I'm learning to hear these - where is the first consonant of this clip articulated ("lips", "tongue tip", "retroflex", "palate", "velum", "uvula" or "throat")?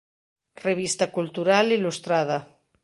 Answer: tongue tip